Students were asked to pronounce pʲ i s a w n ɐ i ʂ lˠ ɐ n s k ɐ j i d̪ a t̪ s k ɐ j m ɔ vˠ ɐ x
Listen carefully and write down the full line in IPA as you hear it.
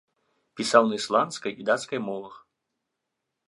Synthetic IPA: pʲ i s a w n ɐ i s lˠ a n s k ɐ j i d̪ a t̪ s k ɐ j m ɔ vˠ ɐ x